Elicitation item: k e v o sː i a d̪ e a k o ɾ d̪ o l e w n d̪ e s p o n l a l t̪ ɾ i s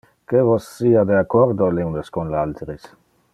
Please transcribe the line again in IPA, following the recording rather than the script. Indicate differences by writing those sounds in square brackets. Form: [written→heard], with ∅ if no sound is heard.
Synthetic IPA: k e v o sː i a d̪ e a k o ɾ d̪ o l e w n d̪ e s [p→k] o n l a l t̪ ɾ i s